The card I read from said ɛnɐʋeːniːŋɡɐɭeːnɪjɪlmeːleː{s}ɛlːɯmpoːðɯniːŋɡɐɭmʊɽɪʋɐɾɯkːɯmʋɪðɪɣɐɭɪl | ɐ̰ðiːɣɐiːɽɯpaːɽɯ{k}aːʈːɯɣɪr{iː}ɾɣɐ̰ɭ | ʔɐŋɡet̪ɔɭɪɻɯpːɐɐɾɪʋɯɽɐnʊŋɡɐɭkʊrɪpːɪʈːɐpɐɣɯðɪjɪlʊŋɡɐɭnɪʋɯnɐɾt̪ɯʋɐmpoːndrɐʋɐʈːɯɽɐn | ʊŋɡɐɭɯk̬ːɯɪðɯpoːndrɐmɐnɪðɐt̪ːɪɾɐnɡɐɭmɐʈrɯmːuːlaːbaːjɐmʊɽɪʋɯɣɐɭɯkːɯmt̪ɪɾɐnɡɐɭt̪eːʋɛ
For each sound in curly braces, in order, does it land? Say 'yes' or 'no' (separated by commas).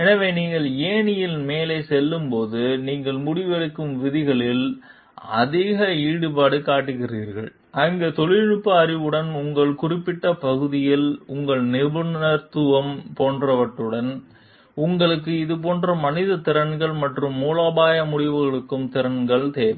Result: yes, yes, yes